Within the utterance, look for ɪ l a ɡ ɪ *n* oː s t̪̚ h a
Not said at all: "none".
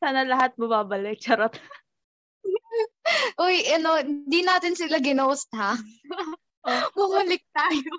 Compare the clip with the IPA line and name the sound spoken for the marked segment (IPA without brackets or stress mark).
n